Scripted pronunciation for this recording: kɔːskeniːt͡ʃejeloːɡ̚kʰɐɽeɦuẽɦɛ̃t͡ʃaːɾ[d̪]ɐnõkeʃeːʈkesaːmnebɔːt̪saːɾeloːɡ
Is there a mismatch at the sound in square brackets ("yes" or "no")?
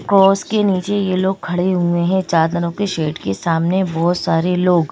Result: no